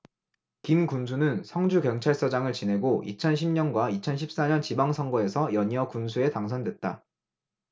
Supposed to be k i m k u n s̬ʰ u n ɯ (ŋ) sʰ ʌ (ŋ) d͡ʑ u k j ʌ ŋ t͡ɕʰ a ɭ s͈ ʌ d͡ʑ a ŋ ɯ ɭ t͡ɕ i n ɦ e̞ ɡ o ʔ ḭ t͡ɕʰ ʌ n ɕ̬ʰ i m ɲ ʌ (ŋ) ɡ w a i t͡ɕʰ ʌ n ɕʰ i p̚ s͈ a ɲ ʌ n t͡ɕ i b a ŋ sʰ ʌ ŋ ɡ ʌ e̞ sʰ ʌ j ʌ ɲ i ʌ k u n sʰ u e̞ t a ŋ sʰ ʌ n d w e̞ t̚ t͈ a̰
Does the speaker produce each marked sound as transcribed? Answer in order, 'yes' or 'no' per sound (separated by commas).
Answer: no, yes, no